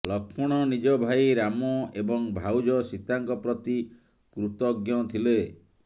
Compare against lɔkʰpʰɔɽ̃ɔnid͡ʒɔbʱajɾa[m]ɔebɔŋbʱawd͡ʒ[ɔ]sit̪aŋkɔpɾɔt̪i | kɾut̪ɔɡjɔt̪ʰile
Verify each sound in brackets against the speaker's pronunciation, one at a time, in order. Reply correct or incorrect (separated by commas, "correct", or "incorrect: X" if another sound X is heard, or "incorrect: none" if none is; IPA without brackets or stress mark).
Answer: correct, correct